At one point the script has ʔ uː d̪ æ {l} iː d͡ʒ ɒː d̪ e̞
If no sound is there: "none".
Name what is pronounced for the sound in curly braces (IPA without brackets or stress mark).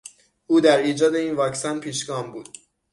ɾ